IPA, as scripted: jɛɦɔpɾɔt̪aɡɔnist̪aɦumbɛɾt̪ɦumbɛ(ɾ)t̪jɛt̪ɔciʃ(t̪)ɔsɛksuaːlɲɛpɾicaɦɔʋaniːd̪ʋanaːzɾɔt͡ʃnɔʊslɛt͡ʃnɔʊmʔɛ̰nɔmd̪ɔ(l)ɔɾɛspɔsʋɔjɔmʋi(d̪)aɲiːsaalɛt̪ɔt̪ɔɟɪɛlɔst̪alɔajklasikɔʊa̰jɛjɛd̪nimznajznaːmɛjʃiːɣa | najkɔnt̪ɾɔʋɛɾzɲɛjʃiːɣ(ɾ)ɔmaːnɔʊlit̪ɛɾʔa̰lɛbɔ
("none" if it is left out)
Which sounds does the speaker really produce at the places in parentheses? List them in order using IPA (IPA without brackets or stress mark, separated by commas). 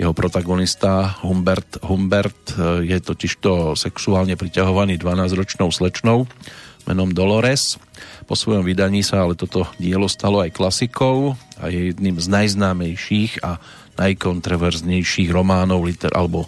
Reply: ɾ, t̪, l, d̪, ɾ